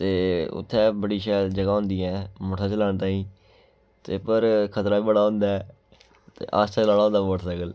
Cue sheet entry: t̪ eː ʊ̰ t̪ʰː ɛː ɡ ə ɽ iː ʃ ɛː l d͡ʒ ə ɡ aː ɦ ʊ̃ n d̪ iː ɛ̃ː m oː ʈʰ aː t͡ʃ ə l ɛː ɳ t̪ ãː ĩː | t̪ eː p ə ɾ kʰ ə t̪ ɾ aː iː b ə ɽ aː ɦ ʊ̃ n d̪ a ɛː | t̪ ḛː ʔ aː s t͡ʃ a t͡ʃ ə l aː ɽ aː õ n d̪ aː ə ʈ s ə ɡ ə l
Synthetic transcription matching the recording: t̪ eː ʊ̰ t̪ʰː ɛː b ə ɽ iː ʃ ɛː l d͡ʒ ə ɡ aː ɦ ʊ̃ n d̪ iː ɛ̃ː m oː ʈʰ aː t͡ʃ ə l aː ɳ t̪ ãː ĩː | t̪ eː p ə ɾ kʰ ə t̪ ɾ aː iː b ə ɽ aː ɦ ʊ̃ n d̪ a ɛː | t̪ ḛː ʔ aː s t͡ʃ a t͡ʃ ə l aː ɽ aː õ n d̪ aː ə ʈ s ə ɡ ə l